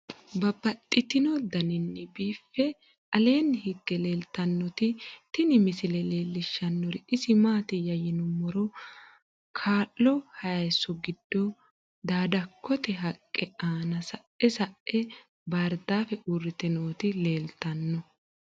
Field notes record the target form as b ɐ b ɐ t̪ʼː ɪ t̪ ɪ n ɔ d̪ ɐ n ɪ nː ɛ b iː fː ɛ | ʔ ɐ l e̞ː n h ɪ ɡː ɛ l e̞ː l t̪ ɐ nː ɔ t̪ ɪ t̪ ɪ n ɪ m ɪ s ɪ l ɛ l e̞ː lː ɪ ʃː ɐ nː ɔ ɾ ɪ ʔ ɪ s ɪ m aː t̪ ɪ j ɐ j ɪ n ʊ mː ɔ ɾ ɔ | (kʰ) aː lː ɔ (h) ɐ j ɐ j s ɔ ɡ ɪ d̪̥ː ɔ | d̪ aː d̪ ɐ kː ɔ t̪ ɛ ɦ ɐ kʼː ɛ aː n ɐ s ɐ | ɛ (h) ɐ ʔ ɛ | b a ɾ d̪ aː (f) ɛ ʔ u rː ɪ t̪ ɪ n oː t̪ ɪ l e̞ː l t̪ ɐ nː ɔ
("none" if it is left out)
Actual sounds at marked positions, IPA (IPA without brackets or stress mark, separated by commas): kʰ, h, s, f